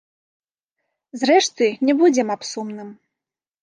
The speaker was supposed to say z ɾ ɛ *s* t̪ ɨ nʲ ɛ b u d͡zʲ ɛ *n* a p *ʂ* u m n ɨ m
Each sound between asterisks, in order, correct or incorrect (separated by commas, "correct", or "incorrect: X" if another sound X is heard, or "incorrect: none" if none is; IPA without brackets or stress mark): incorrect: ʂ, incorrect: m, incorrect: s